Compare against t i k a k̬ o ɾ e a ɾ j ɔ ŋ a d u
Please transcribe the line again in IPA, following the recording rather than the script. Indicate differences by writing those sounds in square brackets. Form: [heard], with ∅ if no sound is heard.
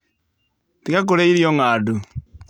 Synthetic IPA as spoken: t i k a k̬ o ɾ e [i] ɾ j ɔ ŋ a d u